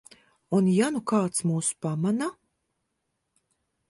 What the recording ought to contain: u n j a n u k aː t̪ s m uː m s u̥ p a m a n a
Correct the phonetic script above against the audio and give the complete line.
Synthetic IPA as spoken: u n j a n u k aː t̪ s m uː s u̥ p a m a n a